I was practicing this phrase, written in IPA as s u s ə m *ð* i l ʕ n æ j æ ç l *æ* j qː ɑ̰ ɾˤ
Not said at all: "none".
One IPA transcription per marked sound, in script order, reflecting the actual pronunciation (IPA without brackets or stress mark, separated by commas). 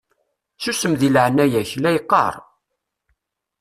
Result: ð, æ